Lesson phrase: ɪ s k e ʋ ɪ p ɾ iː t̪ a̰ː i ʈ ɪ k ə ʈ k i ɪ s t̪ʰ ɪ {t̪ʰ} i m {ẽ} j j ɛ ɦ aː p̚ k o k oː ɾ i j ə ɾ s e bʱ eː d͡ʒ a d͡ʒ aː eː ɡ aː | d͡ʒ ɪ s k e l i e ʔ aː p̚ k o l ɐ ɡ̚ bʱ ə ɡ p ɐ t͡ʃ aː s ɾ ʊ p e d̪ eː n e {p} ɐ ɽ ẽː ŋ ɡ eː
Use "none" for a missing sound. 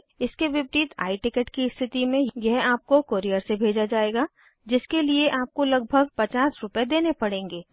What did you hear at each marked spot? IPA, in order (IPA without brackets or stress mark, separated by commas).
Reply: t̪, ẽ, p